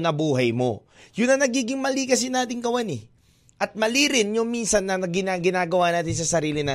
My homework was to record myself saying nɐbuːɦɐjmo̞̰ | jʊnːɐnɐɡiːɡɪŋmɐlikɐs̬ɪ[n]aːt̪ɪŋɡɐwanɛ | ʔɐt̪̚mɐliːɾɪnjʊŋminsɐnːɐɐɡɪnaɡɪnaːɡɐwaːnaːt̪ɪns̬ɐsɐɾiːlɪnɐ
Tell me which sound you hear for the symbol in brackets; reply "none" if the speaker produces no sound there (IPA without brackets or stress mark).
n